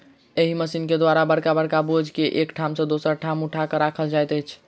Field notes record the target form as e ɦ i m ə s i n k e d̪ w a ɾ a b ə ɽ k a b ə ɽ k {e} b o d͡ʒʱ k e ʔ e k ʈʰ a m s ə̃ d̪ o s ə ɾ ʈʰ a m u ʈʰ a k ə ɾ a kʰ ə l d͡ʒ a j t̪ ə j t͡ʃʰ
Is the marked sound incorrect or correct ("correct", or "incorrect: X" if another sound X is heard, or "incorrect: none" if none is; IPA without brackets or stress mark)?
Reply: incorrect: a